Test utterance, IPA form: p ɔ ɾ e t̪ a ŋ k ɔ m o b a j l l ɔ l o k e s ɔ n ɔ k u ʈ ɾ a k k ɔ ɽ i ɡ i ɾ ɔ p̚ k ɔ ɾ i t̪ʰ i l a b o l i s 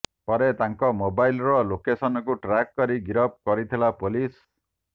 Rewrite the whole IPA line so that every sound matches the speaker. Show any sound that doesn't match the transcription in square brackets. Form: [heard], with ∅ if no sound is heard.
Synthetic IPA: p ɔ ɾ e t̪ a ŋ k ɔ m o b a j l [ɾ] ɔ l o k e s ɔ n ɔ k u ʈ ɾ a k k ɔ [ɾ] i ɡ i ɾ ɔ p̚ k ɔ ɾ i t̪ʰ i l a [p] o l i s